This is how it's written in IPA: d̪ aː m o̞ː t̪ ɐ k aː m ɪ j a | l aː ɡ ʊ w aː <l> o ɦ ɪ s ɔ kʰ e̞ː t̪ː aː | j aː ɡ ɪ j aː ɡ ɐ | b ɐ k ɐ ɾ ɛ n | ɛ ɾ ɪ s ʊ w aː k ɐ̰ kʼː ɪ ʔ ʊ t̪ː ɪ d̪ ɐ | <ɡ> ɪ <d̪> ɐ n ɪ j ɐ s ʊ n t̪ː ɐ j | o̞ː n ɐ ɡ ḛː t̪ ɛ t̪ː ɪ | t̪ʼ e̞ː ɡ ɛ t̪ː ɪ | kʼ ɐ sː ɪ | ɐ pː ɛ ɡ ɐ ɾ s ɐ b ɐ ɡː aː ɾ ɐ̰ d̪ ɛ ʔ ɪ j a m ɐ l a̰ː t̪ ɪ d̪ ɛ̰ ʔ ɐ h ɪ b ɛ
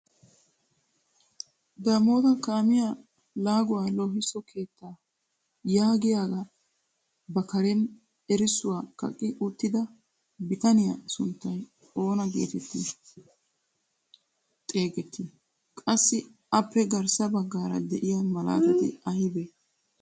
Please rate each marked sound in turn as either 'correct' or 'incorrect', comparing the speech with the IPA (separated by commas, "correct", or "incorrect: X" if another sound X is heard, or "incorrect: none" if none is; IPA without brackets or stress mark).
correct, incorrect: b, incorrect: t̪